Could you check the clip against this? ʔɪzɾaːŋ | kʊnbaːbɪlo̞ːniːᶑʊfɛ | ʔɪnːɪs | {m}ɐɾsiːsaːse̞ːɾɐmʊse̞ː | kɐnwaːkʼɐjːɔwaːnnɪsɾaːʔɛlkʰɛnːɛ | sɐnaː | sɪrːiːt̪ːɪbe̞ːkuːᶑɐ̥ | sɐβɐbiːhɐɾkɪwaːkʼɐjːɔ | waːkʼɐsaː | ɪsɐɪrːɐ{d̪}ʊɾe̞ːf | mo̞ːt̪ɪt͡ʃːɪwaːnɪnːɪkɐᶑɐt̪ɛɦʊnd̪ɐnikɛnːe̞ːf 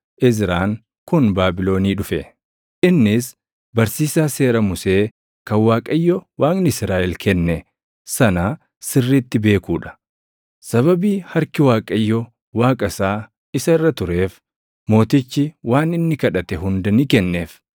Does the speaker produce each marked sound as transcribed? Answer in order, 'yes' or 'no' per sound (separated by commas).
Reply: no, no